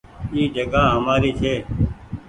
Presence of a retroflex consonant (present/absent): absent